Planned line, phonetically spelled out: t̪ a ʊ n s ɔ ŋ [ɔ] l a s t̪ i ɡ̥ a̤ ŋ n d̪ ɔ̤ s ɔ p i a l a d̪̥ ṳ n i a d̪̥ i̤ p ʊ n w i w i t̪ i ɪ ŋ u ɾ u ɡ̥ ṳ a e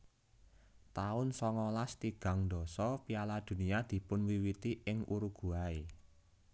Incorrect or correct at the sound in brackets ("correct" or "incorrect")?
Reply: correct